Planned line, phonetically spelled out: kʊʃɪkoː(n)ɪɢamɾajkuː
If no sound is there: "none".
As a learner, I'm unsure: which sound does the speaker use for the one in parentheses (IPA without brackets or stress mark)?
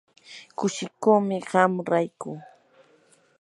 m